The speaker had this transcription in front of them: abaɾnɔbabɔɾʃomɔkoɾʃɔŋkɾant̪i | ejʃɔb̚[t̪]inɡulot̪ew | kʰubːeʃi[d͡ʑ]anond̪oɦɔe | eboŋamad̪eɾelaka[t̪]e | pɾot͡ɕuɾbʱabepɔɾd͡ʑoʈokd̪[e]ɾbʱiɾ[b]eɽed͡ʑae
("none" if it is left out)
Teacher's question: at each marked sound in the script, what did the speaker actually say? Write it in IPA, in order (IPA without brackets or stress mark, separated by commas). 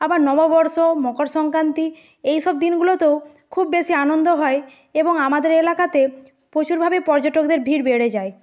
d̪, none, t̪, e, b